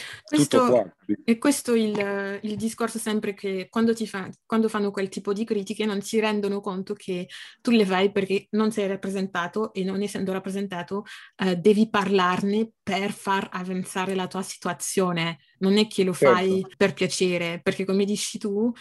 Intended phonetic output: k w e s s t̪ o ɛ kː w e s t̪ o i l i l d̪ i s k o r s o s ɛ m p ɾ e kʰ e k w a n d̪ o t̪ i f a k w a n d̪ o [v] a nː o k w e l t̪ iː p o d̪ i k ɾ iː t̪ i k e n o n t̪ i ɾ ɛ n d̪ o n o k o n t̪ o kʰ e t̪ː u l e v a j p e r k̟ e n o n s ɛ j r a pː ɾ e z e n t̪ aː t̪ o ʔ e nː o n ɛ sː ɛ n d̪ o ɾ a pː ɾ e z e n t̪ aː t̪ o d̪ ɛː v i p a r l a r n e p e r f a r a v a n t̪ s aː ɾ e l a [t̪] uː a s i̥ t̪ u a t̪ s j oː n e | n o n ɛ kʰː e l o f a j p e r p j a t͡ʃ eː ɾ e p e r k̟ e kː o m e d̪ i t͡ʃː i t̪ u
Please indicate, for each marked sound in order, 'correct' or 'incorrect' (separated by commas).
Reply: incorrect, correct